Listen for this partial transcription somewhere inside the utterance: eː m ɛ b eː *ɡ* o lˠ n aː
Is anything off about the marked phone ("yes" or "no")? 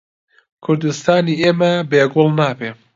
no